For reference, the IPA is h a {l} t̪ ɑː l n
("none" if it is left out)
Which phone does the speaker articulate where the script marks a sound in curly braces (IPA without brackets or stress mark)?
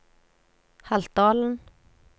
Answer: l